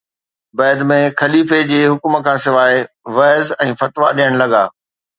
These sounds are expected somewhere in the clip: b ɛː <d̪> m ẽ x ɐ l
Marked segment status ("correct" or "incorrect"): correct